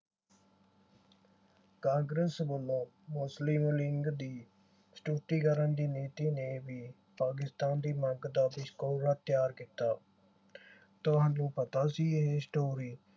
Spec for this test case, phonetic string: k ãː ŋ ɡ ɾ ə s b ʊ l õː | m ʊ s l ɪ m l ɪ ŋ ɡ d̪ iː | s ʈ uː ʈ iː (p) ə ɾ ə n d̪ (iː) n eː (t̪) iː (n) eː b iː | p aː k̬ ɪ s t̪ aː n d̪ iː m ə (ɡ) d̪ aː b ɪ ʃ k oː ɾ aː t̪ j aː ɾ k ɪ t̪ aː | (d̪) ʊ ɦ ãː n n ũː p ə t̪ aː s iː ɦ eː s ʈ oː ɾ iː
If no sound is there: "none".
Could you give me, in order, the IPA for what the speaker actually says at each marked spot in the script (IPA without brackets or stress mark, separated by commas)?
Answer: k, iː, t̪, n, ɡ, t̪